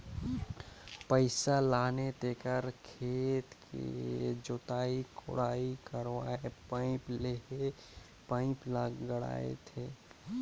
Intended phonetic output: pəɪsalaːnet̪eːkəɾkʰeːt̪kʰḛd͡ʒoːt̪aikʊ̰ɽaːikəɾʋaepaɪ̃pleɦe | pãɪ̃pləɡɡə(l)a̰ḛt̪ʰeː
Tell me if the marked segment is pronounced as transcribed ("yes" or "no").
no